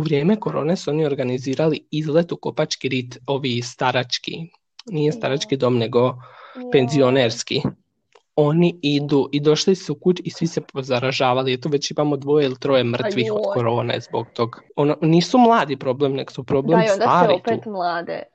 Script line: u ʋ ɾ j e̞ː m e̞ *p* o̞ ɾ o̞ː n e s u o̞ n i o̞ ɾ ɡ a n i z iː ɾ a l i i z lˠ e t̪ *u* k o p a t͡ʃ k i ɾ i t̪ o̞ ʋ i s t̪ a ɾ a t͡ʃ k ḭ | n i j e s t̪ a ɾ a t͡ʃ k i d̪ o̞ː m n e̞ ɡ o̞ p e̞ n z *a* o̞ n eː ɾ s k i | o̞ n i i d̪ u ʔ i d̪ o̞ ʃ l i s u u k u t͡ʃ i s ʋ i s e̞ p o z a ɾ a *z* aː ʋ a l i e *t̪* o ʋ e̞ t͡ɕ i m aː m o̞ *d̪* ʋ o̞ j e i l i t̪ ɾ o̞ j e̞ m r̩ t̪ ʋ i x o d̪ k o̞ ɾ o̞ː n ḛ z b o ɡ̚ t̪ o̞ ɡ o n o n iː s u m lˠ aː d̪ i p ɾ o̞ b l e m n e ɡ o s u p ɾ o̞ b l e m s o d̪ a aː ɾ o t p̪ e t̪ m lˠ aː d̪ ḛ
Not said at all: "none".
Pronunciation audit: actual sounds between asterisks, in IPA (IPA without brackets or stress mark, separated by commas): k, u, i, ʒ, t̪, d̪